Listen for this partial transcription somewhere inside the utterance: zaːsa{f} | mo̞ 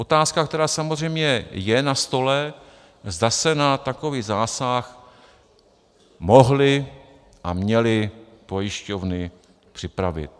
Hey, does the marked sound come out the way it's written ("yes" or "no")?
no